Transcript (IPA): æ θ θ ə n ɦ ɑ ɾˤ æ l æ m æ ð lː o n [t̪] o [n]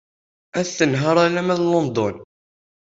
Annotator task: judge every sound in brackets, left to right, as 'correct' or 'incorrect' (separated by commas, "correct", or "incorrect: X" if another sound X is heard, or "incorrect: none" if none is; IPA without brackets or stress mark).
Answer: incorrect: d̪, correct